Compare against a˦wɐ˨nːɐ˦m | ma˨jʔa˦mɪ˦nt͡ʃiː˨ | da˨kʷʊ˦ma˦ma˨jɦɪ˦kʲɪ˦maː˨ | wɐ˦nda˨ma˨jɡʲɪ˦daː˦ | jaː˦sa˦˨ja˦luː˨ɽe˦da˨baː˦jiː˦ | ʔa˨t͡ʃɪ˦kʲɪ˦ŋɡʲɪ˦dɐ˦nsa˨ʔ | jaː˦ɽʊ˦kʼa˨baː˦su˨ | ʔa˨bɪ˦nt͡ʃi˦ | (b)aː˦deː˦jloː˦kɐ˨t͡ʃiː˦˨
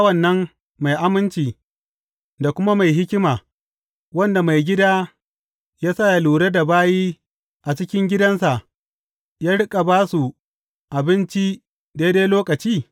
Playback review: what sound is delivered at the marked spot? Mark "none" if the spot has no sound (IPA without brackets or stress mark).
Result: d